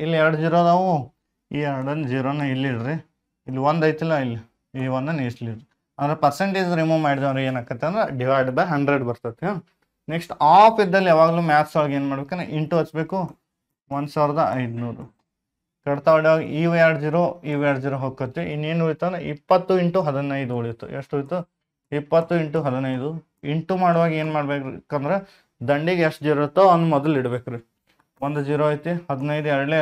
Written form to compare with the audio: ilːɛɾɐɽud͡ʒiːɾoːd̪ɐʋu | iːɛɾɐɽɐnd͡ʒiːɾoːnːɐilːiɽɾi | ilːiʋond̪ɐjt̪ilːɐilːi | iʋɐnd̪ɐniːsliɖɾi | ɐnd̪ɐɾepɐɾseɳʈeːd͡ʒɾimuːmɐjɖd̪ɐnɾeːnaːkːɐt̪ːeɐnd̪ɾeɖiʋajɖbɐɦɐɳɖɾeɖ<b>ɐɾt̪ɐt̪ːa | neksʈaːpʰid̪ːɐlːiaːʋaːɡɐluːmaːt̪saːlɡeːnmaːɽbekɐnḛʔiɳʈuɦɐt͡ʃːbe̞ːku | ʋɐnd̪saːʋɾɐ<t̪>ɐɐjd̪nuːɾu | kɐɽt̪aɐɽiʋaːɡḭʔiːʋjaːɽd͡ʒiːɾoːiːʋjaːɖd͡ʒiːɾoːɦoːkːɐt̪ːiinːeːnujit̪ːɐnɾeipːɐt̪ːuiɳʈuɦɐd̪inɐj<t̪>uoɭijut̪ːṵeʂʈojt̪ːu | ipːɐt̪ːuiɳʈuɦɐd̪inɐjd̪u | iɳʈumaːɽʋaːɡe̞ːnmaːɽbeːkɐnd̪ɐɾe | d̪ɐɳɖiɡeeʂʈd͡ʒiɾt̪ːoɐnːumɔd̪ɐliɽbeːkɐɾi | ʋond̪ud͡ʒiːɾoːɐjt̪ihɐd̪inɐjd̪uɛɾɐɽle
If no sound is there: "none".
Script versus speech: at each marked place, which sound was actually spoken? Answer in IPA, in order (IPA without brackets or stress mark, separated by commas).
b, d̪, d̪